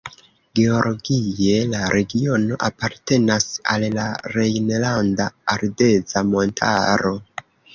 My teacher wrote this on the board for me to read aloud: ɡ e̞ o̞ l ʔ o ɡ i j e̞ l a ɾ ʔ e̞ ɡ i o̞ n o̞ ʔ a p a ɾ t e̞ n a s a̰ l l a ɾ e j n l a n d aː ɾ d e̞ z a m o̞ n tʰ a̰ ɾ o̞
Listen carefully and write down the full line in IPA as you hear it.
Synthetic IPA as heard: ɡ e̞ o̞ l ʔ o ɡ i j e̞ l a ɾ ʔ e̞ ɡ i o̞ n o̞ ʔ a p a ɾ t e̞ n a s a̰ l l a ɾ e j n l a n d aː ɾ d e̞ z a m o̞ n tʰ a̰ ɾ o̞